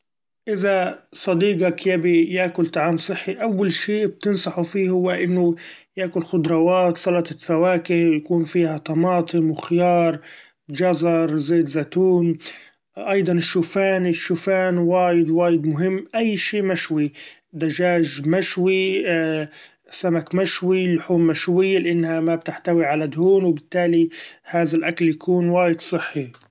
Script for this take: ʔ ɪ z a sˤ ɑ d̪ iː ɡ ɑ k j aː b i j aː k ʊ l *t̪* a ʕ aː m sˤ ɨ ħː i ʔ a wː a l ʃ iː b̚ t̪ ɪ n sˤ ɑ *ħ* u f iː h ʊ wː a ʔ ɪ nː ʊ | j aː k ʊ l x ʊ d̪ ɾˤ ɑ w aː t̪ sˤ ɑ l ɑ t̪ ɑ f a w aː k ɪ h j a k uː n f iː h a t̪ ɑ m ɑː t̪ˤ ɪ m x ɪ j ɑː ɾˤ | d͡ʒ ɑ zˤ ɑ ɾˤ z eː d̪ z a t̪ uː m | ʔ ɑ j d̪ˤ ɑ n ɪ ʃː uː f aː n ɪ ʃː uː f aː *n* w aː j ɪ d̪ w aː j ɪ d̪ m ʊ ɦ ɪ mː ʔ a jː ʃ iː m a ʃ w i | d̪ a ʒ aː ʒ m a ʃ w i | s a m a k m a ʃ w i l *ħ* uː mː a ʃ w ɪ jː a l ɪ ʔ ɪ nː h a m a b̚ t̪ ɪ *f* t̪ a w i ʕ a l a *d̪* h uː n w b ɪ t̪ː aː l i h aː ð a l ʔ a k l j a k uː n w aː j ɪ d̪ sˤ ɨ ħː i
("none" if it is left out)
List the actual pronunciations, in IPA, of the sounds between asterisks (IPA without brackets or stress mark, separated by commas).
t̪, ħ, n, ħ, ħ, d̪